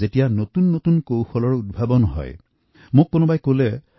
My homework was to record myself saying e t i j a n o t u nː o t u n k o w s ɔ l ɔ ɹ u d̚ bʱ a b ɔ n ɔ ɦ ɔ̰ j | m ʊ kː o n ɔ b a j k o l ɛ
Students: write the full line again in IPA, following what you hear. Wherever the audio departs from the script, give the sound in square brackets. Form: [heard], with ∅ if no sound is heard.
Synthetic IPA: e t i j a n o t u nː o t u n k o w [x] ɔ l ɔ ɹ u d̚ bʱ a b ɔ n ɔ ɦ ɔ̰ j | m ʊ kː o n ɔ b a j k o l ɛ